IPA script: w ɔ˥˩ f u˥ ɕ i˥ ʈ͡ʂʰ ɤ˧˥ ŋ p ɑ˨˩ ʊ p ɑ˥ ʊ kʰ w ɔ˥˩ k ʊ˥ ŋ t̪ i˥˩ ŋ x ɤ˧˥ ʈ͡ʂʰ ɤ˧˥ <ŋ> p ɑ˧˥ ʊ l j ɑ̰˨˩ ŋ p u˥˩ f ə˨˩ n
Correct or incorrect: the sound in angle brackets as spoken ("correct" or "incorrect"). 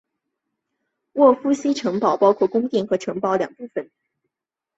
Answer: correct